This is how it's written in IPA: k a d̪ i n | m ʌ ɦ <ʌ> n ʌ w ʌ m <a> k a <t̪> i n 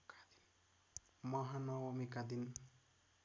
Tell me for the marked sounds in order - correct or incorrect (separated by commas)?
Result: incorrect, incorrect, incorrect